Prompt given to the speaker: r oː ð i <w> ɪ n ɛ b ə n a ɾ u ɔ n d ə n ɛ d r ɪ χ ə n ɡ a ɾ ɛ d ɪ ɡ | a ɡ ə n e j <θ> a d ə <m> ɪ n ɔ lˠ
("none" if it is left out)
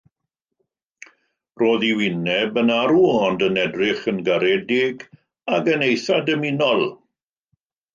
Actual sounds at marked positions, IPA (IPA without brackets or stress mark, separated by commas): w, θ, m